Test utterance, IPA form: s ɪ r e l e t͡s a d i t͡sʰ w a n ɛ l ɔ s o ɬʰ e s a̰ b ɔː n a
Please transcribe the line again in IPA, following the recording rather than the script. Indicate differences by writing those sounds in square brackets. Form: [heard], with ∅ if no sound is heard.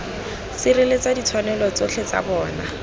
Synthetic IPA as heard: s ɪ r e l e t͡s a d i t͡sʰ w a n ɛ l ɔ [t͡s] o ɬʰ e [t͡s] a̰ b ɔː n a